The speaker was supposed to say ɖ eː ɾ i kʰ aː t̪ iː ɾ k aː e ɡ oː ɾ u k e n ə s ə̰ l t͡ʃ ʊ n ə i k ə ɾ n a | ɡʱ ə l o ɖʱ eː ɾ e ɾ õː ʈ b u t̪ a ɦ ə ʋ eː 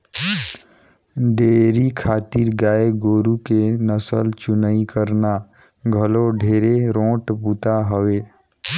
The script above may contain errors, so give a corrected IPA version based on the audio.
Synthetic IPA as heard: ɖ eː ɾ i kʰ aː t̪ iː ɾ ɡ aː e ɡ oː ɾ u k e n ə s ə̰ l t͡ʃ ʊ n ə i k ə ɾ n a | ɡʱ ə l o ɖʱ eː ɾ e ɾ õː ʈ b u t̪ a ɦ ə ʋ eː